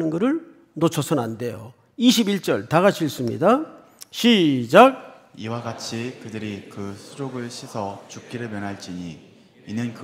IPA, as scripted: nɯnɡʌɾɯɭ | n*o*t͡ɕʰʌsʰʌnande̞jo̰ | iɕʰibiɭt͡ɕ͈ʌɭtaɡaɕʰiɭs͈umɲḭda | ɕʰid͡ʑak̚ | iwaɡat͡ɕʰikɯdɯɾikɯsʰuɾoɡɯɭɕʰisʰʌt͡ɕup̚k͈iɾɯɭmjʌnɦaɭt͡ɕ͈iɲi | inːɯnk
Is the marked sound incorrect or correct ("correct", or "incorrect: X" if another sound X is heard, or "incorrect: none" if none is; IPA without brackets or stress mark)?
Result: correct